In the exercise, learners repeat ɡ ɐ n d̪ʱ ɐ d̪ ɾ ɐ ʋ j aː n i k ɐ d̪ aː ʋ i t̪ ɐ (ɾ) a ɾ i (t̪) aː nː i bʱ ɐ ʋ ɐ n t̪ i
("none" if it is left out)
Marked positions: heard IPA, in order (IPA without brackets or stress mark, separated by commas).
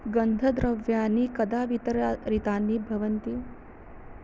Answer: ɾ, t̪